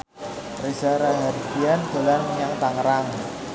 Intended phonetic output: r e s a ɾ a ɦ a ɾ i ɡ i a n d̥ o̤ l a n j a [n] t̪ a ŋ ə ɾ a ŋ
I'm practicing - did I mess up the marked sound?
yes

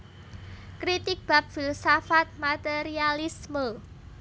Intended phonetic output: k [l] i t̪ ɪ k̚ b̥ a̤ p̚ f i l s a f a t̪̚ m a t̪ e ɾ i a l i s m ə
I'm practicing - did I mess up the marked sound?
yes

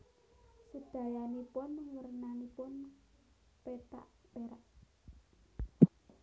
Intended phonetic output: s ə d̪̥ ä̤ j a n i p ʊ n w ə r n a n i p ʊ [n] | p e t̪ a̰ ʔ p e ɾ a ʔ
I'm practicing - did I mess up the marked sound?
no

